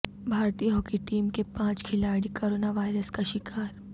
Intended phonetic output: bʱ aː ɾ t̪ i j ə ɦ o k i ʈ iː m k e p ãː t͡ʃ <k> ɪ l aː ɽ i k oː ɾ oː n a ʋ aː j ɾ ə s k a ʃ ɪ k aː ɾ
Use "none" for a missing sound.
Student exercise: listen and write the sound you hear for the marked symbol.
kʰ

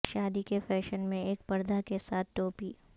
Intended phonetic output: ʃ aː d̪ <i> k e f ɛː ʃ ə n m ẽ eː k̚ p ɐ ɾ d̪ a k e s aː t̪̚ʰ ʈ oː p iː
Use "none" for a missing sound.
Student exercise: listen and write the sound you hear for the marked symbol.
i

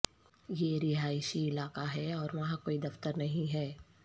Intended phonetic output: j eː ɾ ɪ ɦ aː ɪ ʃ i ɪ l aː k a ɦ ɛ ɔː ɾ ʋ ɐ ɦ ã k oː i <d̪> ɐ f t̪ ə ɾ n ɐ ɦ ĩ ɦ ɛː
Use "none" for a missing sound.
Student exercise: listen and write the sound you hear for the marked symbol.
d̪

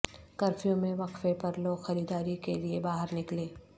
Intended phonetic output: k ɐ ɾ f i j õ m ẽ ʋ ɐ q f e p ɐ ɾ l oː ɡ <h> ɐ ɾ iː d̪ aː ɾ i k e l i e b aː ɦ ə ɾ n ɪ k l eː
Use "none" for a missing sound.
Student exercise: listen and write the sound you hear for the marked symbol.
x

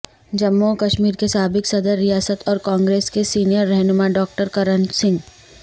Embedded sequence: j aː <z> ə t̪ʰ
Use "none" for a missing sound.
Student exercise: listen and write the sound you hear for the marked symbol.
s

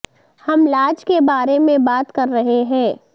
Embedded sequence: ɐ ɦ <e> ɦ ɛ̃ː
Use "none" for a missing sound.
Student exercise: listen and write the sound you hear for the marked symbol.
e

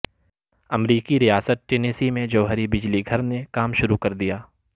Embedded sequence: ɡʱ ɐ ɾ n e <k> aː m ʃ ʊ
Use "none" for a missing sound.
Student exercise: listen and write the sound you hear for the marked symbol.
k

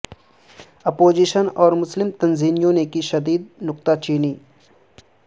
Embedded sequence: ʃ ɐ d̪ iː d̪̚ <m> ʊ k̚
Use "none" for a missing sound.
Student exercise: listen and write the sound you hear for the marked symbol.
n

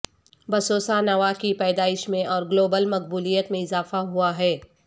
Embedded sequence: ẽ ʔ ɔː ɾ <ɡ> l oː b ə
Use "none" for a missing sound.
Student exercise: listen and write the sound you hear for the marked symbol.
ɡ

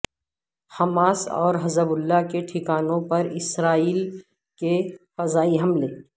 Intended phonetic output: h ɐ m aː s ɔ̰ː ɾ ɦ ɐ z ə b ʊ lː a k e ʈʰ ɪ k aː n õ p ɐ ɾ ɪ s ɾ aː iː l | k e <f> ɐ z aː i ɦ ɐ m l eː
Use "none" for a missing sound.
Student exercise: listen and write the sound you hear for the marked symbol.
f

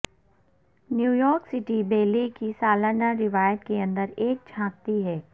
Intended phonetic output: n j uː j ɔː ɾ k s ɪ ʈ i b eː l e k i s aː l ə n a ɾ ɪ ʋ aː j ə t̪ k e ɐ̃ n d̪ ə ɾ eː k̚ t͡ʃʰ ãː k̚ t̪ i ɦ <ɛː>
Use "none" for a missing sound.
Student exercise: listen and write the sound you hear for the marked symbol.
ɛː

